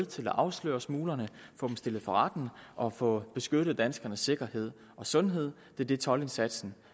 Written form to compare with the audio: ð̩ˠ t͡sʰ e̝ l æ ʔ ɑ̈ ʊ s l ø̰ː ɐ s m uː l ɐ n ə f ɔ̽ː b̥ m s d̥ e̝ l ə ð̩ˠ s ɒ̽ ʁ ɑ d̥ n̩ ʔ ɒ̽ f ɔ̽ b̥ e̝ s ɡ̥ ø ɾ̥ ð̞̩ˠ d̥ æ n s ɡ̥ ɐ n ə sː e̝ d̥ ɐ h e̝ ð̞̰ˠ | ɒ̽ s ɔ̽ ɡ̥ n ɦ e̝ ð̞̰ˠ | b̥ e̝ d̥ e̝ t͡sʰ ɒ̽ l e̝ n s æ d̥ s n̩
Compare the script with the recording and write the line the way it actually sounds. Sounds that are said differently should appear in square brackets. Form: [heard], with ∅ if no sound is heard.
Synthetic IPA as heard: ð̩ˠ t͡sʰ e̝ l æ ʔ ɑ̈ ʊ s l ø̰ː ɐ s m uː l ɐ n ə f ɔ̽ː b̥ m s d̥ e̝ l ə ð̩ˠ [f] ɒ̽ ʁ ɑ d̥ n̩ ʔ ɒ̽ f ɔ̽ b̥ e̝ s ɡ̥ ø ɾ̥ ð̞̩ˠ d̥ æ n s ɡ̥ ɐ n ə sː e̝ [ɡ̥] ɐ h e̝ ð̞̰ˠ | ɒ̽ s ɔ̽ [∅] n ɦ e̝ ð̞̰ˠ | [d̥] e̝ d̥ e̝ t͡sʰ ɒ̽ l e̝ n s æ d̥ s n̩